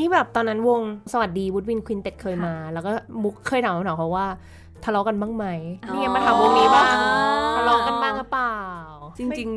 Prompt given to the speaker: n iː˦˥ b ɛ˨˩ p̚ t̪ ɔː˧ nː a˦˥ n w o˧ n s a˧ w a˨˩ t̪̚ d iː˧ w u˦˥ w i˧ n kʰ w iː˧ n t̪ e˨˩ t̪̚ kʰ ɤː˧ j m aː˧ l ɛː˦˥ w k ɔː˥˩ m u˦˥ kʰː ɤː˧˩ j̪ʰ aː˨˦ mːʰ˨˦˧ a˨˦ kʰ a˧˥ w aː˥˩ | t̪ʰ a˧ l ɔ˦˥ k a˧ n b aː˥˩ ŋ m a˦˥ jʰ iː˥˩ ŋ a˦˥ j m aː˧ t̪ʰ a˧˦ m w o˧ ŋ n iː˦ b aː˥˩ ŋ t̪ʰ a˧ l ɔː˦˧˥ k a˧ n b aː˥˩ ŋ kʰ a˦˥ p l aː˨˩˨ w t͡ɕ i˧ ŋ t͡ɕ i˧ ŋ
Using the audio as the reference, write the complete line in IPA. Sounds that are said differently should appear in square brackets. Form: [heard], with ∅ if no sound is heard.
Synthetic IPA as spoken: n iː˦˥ b [ɛː˨˩] p̚ t̪ ɔː˧ nː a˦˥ n w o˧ [ŋ] s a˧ w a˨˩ t̪̚ d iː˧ w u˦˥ w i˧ n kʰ w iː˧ n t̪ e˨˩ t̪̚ kʰ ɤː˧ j m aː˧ l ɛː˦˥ w k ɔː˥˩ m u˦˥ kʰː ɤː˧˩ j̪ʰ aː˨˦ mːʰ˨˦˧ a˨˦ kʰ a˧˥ w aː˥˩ | t̪ʰ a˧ l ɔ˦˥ k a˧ n b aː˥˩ ŋ m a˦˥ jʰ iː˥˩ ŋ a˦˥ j m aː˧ t̪ʰ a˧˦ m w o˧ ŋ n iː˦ b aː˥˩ ŋ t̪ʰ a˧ l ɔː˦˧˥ k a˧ n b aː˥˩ ŋ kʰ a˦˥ p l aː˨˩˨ w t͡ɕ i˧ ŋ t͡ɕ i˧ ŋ